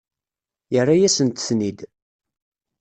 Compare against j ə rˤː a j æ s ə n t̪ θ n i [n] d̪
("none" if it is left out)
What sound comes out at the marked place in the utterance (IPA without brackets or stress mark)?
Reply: none